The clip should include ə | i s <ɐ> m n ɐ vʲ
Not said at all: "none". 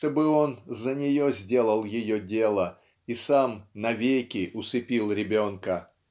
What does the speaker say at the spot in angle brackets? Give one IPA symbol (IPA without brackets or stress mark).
a